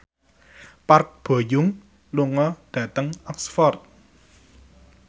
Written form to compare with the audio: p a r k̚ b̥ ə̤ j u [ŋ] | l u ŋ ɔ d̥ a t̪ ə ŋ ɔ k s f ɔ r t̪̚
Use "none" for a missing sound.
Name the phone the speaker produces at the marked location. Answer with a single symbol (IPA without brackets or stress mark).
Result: ŋ